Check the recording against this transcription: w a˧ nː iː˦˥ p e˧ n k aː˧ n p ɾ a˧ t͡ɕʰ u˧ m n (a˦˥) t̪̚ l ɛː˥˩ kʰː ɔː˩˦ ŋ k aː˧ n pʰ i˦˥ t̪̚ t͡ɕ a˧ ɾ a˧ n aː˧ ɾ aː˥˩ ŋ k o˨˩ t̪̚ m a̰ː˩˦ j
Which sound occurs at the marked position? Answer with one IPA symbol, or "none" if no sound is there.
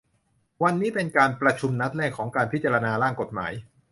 a˦˥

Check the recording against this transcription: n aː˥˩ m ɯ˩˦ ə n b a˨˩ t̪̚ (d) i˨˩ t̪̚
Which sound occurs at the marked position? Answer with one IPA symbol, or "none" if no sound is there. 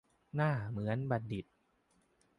d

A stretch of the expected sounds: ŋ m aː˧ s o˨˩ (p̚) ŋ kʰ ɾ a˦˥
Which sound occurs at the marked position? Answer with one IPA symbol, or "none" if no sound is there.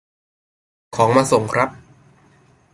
none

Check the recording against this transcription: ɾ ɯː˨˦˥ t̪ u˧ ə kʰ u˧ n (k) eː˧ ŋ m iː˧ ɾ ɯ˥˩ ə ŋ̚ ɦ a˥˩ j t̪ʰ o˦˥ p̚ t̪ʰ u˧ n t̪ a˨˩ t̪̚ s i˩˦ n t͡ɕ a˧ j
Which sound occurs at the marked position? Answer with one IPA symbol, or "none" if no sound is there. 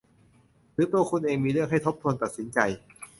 ʔ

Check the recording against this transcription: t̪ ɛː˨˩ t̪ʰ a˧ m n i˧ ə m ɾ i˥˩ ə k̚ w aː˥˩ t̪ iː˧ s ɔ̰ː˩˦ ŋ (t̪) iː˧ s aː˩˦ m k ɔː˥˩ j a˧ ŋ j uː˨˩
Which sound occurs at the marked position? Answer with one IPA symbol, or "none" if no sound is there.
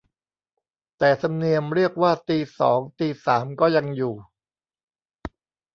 t̪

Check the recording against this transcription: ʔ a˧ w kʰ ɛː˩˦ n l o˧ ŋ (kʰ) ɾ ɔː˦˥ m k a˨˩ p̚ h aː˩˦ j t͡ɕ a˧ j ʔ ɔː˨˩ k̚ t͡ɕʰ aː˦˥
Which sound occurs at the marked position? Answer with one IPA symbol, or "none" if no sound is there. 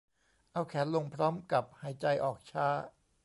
pʰ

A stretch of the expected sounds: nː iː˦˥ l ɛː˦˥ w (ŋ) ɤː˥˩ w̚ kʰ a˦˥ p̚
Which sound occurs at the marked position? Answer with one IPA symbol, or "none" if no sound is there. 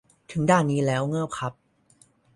ŋ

